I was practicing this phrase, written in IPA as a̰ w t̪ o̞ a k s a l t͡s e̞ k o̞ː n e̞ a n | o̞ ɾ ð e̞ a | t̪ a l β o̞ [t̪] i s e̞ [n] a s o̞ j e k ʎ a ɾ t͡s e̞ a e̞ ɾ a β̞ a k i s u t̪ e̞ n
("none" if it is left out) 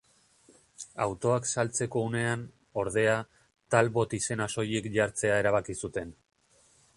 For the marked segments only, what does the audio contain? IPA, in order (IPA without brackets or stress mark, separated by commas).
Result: t̪, n